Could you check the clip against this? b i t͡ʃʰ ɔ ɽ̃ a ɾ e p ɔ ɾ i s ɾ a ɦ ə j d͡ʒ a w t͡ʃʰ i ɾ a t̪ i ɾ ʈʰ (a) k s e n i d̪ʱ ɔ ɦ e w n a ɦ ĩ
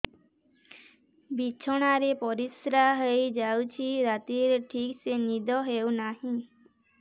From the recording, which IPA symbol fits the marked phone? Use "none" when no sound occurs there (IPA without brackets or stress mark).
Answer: i